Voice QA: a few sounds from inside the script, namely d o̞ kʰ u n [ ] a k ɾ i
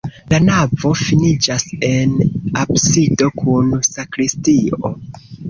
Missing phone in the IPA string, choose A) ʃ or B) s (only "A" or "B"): B